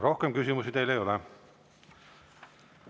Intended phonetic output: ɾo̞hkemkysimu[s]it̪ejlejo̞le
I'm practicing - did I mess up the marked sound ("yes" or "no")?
no